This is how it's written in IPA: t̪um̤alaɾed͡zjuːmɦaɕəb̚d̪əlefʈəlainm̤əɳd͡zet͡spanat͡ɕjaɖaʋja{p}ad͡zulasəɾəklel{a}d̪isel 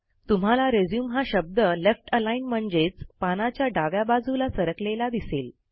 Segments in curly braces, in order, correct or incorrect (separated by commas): incorrect, correct